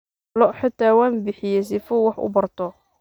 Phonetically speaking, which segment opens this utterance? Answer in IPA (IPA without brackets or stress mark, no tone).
l